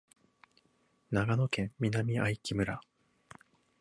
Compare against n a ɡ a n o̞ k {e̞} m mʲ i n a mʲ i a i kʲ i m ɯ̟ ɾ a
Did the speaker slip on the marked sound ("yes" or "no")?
yes